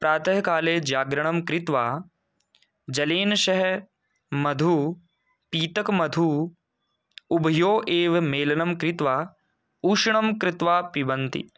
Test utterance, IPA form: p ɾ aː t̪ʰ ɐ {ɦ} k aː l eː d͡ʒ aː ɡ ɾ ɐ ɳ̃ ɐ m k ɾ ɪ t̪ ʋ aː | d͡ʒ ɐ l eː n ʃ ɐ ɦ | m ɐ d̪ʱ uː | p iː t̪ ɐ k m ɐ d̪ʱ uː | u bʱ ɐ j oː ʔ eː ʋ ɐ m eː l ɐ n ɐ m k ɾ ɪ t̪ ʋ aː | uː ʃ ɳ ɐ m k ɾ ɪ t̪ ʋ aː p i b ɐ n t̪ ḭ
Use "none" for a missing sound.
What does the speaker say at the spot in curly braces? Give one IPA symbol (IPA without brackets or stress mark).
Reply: ɦ